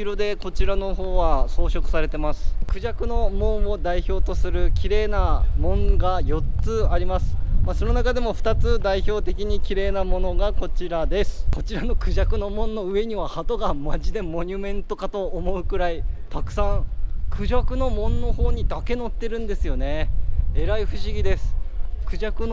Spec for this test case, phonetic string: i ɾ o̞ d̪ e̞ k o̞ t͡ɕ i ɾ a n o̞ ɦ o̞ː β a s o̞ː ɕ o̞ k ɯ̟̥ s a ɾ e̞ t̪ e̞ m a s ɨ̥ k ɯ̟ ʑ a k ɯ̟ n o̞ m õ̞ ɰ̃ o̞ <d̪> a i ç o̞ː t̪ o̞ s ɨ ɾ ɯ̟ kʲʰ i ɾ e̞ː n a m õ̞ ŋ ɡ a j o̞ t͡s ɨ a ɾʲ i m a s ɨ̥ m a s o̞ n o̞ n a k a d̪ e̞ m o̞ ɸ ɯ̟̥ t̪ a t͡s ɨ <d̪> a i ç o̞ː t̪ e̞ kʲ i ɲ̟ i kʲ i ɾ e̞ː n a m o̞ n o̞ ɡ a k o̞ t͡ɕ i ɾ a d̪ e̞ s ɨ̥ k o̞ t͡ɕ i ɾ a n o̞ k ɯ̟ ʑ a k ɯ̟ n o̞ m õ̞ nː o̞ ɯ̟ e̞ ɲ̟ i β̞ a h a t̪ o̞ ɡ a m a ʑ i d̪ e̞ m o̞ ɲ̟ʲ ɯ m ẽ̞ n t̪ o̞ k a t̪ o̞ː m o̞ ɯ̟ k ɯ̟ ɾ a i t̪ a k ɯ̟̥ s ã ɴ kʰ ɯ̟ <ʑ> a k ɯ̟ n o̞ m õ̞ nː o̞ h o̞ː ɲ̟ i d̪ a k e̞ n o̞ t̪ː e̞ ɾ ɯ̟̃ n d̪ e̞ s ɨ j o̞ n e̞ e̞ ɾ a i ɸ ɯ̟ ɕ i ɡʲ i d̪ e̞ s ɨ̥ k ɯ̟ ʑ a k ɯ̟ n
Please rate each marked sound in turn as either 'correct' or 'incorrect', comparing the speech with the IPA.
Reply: correct, correct, correct

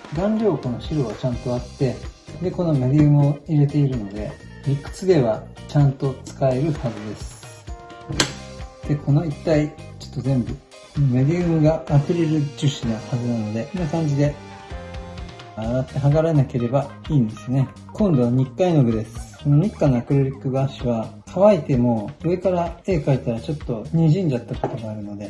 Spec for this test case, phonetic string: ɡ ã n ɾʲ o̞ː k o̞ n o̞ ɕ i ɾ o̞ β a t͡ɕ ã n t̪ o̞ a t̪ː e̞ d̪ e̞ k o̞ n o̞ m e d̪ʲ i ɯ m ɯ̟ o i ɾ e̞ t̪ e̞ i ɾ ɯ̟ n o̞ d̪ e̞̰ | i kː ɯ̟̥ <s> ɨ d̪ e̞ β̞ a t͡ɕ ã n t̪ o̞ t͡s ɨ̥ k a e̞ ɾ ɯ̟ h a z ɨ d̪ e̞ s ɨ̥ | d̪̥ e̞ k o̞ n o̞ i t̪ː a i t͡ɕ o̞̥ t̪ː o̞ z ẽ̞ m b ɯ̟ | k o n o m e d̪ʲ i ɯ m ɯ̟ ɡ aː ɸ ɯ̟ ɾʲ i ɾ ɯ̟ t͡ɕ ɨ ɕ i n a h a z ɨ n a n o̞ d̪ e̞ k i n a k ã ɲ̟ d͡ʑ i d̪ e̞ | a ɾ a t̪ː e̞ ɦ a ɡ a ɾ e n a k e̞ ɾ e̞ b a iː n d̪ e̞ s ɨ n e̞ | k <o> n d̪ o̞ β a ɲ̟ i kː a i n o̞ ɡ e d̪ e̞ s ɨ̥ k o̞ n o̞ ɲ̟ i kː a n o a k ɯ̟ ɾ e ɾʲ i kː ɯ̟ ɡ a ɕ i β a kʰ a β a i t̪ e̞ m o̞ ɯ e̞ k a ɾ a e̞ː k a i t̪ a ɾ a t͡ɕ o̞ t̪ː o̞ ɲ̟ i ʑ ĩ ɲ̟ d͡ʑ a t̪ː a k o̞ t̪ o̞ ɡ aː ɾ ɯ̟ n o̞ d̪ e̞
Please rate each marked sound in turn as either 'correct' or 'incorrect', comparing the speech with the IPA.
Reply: incorrect: t͡s, incorrect: õ

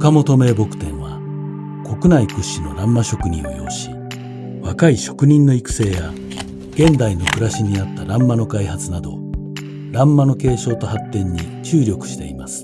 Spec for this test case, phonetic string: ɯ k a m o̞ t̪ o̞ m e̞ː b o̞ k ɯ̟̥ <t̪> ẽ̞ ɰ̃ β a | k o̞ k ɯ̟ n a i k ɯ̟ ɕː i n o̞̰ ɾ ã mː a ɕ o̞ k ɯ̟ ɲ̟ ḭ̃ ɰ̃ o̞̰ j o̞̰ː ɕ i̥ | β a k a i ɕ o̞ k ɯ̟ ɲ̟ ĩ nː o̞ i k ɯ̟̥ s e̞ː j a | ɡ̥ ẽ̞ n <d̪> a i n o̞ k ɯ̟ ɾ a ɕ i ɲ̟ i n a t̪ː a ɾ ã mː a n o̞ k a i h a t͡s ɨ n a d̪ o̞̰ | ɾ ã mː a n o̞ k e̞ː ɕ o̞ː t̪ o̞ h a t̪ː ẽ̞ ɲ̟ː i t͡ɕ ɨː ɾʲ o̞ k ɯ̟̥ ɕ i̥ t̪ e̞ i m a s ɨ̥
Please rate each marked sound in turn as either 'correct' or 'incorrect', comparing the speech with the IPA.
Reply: correct, correct

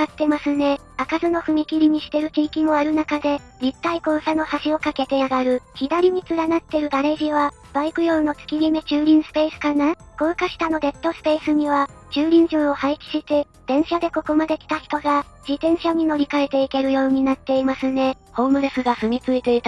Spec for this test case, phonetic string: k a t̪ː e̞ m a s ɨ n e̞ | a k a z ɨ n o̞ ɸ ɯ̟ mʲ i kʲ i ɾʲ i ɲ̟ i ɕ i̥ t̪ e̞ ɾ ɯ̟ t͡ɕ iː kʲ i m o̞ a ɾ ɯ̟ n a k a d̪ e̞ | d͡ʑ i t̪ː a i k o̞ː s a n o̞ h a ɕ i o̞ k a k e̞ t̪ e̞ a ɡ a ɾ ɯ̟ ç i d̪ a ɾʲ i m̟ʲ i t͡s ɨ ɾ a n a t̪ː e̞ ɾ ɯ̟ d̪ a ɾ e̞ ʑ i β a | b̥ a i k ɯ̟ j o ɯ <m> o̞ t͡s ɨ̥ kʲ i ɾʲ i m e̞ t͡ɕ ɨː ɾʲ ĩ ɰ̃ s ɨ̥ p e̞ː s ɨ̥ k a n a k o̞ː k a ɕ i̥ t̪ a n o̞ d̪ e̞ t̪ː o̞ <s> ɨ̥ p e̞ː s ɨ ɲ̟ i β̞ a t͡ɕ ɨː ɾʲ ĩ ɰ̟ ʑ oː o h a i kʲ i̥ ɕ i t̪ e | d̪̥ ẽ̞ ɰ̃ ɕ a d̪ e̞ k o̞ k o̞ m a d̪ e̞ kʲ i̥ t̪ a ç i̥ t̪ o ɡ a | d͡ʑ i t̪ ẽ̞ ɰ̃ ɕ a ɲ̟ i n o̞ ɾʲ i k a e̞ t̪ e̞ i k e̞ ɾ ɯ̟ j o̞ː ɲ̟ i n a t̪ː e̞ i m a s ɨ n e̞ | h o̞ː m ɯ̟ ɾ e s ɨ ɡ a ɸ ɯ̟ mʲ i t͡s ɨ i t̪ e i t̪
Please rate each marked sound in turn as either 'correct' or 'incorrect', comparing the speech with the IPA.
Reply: incorrect: n, correct

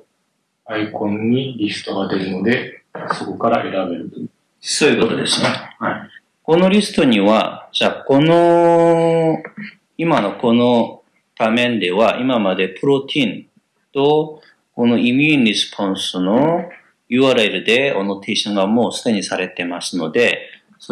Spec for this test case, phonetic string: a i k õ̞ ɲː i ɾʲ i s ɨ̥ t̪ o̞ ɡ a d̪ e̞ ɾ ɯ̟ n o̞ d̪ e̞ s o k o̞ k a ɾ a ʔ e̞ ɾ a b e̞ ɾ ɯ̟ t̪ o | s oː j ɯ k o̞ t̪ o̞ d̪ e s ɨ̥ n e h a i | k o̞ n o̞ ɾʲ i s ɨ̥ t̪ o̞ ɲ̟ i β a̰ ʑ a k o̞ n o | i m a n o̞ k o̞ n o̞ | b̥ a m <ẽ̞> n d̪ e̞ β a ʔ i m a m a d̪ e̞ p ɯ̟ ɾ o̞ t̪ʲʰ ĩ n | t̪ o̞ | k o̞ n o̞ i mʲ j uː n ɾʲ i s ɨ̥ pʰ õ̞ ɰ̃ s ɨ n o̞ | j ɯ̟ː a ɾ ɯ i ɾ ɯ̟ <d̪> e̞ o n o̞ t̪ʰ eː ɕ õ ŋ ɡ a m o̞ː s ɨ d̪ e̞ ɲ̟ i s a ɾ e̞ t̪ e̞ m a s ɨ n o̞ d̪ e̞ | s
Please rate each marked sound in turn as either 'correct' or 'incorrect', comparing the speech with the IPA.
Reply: correct, correct

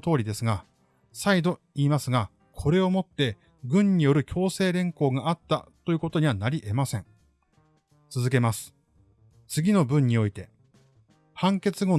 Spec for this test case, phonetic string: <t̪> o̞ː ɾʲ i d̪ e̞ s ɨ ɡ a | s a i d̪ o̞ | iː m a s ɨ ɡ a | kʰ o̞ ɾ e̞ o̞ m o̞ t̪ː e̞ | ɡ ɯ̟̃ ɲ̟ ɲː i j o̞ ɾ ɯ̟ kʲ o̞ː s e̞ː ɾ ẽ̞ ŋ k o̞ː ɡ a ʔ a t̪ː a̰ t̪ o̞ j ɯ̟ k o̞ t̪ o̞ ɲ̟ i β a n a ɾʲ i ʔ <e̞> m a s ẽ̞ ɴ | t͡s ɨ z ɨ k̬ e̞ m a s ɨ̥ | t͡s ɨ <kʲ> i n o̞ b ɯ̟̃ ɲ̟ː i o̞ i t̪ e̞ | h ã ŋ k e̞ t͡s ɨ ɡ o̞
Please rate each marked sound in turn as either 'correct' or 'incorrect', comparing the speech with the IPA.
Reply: correct, correct, incorrect: ɡʲ

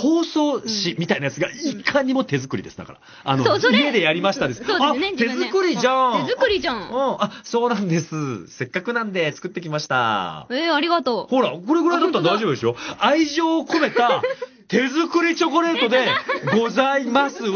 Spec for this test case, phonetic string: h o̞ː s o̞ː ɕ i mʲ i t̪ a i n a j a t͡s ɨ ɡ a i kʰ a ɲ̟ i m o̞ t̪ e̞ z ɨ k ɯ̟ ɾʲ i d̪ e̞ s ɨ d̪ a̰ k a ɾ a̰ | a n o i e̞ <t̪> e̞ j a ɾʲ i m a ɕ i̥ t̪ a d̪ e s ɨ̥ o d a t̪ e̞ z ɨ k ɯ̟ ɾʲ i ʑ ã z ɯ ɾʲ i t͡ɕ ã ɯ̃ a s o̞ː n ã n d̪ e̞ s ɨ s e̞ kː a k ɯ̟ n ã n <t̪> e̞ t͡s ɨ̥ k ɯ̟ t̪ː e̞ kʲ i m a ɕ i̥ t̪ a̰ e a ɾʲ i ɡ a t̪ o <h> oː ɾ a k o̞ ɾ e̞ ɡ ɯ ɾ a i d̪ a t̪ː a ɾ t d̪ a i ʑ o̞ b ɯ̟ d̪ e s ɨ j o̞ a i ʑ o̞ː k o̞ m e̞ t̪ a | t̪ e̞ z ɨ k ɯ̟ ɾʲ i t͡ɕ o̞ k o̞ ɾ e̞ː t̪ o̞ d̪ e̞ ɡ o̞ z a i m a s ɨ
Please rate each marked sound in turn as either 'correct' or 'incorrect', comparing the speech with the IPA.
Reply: incorrect: d̪, incorrect: d̪, correct

